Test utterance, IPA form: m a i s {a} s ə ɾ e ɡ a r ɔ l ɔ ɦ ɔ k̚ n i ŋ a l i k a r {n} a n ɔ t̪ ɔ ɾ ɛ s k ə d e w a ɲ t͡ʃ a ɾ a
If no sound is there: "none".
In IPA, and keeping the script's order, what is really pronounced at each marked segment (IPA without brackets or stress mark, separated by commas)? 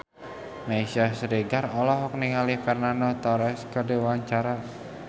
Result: a, n